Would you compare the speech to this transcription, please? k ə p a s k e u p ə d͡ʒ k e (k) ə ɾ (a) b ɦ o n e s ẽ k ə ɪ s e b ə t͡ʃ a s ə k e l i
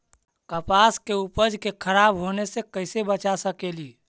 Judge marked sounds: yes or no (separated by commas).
no, yes